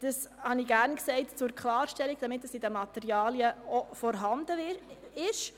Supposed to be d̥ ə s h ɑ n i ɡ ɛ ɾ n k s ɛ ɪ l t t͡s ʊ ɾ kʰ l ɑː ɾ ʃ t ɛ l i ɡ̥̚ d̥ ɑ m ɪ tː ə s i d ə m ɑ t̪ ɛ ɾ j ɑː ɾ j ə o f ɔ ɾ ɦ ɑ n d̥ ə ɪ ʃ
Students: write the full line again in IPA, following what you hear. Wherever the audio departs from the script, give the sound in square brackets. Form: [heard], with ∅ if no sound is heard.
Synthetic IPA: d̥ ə s h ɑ n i ɡ [æ] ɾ n k s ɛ ɪ [∅] t t͡s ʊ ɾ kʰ l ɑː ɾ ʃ t ɛ l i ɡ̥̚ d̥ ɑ m ɪ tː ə s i d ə m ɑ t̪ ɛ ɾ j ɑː [l] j ə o f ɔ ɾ ɦ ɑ n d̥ ə ɪ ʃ